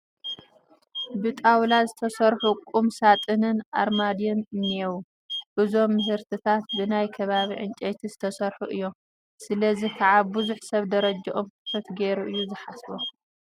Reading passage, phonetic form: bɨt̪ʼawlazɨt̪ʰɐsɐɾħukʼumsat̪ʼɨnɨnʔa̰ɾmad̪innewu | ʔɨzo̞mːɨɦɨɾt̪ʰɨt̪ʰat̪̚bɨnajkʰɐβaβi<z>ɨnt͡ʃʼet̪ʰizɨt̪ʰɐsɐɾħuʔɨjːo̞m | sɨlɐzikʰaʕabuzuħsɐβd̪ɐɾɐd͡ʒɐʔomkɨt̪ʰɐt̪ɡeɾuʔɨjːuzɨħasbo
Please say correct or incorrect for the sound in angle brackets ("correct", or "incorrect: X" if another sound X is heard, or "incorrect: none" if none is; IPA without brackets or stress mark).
incorrect: ʕ